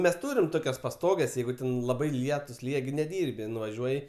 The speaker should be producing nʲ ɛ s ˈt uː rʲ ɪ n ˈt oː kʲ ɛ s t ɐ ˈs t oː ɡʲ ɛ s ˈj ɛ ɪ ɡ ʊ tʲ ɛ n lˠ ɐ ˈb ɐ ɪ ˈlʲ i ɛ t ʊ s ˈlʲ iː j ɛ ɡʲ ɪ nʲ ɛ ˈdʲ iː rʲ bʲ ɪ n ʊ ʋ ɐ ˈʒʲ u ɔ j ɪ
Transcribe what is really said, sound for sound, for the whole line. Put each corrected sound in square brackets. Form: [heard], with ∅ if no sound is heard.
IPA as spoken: [mʲ] ɛ s ˈt uː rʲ ɪ [m] ˈt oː kʲ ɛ s [p] ɐ ˈs t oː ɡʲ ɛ s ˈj ɛ ɪ ɡ ʊ tʲ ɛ n lˠ ɐ ˈb ɐ ɪ ˈlʲ i ɛ t ʊ s ˈlʲ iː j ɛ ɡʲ ɪ nʲ ɛ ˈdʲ iː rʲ bʲ ɪ n ʊ ʋ ɐ ˈʒʲ u ɔ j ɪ